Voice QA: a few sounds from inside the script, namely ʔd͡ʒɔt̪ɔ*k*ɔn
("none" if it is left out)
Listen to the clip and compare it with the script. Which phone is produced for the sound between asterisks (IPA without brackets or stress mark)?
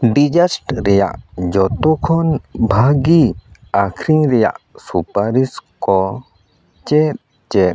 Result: kʰ